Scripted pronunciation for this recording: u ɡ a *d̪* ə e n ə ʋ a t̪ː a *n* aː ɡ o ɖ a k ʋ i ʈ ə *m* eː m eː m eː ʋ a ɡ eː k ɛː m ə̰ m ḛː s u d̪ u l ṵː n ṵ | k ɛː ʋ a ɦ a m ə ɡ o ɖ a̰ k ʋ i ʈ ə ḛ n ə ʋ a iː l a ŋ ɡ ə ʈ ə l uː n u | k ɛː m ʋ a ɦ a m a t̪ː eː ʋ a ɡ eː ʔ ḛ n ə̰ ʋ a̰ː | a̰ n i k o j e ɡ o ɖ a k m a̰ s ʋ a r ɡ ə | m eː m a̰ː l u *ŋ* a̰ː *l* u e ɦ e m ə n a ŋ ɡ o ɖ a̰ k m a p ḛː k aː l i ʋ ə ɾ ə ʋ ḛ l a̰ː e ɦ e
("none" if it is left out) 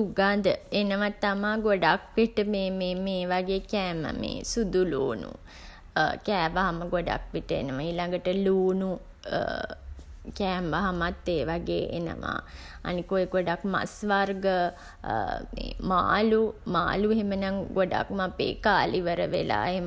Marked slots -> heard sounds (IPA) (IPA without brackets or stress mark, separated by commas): d̪, m, m, m, l